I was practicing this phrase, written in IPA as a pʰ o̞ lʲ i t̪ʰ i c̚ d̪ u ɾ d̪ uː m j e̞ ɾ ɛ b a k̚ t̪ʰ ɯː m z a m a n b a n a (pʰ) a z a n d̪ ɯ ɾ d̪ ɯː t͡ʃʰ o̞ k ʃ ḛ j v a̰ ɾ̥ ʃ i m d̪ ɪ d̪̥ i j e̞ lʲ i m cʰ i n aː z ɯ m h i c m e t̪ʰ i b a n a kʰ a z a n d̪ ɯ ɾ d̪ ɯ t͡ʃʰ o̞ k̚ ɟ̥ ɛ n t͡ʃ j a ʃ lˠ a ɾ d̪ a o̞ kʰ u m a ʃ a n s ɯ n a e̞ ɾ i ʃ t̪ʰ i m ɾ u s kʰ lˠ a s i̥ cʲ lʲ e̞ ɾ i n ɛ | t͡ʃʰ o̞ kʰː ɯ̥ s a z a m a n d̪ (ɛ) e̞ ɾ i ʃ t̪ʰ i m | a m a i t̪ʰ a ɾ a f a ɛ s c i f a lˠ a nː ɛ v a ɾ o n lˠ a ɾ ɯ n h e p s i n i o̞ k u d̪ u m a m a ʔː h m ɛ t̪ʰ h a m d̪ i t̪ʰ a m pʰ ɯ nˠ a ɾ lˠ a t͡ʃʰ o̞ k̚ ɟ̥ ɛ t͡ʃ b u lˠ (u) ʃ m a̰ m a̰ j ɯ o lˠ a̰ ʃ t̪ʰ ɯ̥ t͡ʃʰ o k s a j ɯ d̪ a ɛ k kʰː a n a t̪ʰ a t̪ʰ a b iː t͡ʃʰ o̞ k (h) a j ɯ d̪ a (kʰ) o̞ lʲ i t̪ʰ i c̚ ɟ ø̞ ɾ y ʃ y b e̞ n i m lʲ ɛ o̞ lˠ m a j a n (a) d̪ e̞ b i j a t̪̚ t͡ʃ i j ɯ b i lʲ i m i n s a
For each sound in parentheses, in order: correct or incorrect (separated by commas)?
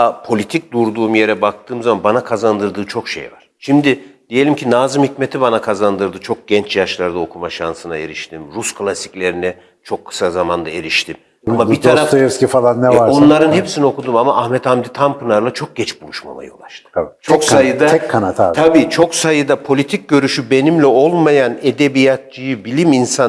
incorrect, incorrect, correct, incorrect, incorrect, incorrect